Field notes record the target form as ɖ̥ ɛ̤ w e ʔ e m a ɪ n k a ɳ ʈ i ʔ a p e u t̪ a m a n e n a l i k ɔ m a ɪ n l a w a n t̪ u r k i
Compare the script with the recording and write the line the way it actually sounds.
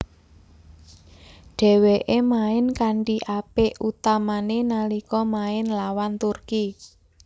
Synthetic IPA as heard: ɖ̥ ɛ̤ w e ʔ e m a ɪ n k a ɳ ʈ i ʔ a p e u t̪ a m a n e n a l i k ɔ m a ɪ n l a w a n t̪ u r k i

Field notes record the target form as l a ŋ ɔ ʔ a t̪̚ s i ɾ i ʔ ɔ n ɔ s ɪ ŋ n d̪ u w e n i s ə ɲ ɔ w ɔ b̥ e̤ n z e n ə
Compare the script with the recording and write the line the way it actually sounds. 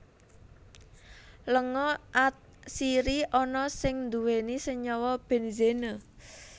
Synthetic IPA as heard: l ə ŋ ɔ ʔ a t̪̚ s i ɾ i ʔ ɔ n ɔ s ɪ ŋ n d̪ u w e n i s ə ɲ ɔ w ɔ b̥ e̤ n z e n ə

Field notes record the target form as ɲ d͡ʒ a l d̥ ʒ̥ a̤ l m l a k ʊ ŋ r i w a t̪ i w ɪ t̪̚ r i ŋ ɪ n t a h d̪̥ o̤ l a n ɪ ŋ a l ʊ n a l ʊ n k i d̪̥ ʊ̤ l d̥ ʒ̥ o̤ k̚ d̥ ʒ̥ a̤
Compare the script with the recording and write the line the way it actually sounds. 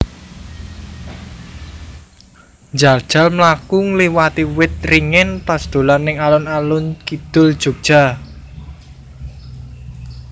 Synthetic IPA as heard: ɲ d͡ʒ a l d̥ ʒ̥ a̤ l m l a k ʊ ŋ l i w a t̪ i w ɪ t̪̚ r i ŋ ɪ n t a s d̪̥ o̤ l a n ɪ ŋ a l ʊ n a l ʊ n k i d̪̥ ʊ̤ l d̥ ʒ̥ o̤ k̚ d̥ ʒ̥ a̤

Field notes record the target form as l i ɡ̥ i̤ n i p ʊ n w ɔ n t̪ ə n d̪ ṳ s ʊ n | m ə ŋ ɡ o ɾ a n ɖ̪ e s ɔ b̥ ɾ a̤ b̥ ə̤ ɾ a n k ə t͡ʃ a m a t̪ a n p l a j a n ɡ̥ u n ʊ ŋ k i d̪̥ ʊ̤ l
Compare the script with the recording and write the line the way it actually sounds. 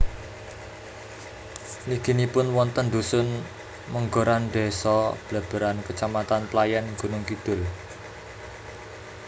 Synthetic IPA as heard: l i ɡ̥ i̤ n i p ʊ n w ɔ n t̪ ə n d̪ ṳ s ʊ n | m ə ŋ ɡ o ɾ a n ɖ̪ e s ɔ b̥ l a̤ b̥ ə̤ ɾ a n k ə t͡ʃ a m a t̪ a n p l a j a n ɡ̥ u n ʊ ŋ k i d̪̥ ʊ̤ l

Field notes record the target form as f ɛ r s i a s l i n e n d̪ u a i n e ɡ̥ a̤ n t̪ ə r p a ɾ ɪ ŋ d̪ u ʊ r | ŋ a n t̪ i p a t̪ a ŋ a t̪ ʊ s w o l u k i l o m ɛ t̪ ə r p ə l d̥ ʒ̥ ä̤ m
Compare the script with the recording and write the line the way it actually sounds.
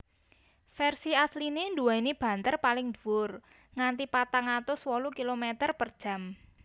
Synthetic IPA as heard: f ɛ r s i a s l i n e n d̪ u a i n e b̥ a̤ n t̪ ə r p a l ɪ ŋ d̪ u ʊ r | ŋ a n t̪ i p a t̪ a ŋ a t̪ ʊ s w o l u k i l o m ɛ t̪ ə r p ə r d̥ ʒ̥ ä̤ m

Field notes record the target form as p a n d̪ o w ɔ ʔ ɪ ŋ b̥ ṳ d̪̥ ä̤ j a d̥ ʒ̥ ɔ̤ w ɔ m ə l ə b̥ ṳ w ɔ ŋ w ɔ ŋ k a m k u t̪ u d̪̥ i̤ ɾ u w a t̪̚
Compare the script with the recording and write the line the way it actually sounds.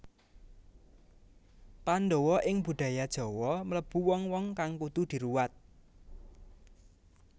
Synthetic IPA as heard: p a n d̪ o w ɔ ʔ ɪ ŋ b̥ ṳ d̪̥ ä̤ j a d̥ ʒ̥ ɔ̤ w ɔ m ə l ə b̥ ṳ w ɔ ŋ w ɔ ŋ k a ŋ k u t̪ u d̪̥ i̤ ɾ u w a t̪̚

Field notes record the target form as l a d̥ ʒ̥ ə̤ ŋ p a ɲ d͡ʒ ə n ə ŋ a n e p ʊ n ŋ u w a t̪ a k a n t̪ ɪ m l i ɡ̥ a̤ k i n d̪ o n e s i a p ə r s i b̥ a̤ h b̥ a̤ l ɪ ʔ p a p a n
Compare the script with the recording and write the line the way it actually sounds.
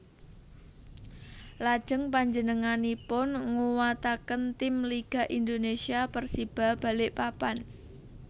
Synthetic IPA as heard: l a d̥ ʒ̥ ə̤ ŋ p a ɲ d͡ʒ ə n ə ŋ a n i p ʊ n ŋ u w a t̪ a k ə n t̪ ɪ m l i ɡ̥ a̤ ʔ i n d̪ o n e s i a p ə r s i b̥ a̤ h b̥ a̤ l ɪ ʔ p a p a n

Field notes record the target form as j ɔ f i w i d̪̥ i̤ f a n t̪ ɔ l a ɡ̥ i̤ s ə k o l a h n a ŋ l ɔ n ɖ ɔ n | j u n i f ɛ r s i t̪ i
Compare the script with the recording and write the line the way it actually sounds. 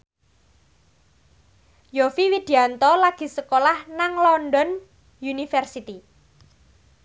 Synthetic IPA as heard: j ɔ f i w i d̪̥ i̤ a n t̪ ɔ l a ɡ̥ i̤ s ə k o l a h n a ŋ l ɔ n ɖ ɔ n | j u n i f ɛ r s i t̪ i

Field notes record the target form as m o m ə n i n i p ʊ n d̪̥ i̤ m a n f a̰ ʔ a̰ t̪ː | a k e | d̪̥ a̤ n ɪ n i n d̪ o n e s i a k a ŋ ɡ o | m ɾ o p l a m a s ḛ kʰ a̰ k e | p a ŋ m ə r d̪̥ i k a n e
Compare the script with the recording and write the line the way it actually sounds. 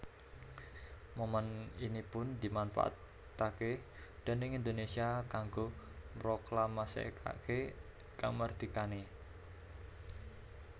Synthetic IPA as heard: m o m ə n i n i p ʊ n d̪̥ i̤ m a n f a̰ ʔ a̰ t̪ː | a k e | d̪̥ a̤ n ɪ ŋ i n d̪ o n e s i a k a ŋ ɡ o | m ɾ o k l a m a s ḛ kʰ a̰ k e | k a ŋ m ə r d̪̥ i k a n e

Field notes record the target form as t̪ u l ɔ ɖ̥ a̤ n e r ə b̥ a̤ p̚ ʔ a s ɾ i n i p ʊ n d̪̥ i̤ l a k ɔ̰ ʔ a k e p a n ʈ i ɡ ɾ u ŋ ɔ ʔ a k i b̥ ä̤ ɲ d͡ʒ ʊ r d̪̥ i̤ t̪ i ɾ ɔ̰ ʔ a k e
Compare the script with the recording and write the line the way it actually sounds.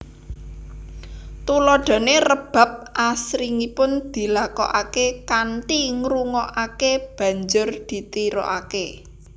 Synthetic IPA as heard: t̪ u l ɔ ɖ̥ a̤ n e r ə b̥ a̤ p̚ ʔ a s ɾ i ŋ i p ʊ n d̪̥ i̤ l a k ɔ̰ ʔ a k e k a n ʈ i ŋ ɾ u ŋ ɔ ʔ a k e b̥ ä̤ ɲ d͡ʒ ʊ r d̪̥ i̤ t̪ i ɾ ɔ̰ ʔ a k e

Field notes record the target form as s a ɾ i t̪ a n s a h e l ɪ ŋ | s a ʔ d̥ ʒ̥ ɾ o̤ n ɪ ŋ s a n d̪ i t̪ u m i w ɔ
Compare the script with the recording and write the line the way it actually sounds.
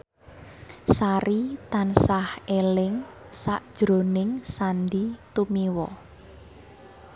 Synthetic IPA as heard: s a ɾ i t̪ a n s a h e l ɪ ŋ | s a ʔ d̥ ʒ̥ ɾ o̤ n ɪ ŋ s a n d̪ i t̪ u m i w ɔ

